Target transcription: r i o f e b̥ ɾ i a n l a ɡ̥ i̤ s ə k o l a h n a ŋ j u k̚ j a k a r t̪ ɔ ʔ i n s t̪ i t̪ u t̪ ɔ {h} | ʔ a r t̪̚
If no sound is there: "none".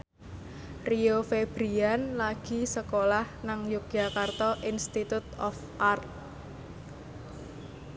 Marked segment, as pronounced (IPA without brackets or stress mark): f